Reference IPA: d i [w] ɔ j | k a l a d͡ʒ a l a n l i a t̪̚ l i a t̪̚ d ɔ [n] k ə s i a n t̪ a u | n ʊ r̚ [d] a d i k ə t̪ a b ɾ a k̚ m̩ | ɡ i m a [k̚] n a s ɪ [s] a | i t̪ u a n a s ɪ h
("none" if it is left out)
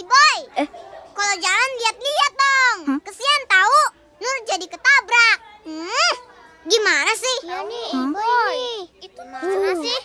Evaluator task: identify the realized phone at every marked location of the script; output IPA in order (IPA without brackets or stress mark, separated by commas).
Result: b, ŋ, d͡ʒ, none, h